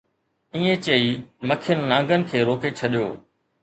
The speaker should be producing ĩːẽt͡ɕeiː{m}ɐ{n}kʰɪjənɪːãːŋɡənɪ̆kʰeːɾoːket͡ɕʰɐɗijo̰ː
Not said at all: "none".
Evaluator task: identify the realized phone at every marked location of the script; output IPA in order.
m, none

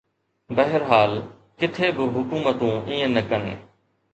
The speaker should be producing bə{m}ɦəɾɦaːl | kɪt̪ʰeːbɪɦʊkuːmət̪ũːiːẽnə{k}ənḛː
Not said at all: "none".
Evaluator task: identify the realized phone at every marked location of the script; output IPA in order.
none, k

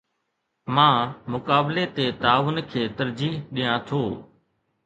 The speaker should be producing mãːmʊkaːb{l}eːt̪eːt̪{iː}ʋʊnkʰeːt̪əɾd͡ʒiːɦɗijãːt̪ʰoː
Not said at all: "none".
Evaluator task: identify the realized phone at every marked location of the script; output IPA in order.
l, aː

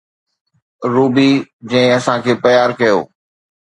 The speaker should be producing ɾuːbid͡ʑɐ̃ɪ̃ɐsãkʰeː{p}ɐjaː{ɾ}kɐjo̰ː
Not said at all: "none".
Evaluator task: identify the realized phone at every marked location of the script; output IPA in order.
p, ɾ

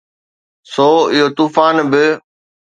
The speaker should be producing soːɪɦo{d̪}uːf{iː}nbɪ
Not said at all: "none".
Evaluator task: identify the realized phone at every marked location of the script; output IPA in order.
t̪, aː

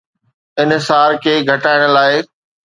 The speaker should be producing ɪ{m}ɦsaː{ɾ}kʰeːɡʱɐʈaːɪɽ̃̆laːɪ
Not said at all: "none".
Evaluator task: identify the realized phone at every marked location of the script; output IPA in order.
n, ɾ

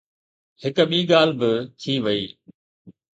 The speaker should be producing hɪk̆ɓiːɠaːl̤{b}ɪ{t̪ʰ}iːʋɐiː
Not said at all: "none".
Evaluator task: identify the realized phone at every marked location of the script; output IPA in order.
b, t̪ʰ

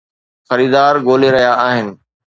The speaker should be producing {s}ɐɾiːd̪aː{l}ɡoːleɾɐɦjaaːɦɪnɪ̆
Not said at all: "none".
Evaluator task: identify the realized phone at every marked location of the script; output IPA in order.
x, ɾ

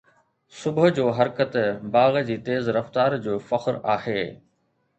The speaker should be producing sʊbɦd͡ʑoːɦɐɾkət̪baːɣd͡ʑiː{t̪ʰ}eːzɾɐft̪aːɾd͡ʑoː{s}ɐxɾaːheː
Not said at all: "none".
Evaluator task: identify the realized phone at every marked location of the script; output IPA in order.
t̪, f

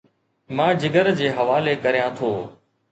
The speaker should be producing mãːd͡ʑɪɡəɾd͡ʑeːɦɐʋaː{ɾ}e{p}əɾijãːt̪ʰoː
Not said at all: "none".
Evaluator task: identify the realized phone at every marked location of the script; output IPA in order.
l, k

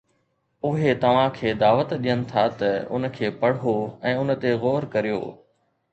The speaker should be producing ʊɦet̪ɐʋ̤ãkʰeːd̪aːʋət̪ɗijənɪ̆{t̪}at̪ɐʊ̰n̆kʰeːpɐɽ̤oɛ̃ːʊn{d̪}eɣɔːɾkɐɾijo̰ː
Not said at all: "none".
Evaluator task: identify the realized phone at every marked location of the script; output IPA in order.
t̪ʰ, t̪

